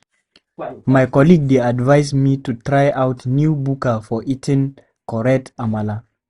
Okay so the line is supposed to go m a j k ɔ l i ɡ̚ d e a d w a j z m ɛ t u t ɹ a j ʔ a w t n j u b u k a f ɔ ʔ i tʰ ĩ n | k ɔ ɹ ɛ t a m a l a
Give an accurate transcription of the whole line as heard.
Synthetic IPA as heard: m a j k ɔ l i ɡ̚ d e a d v a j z m i t u t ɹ a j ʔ a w t n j u b u k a f ɔ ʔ i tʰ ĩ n | k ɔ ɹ ɛ t a m a l a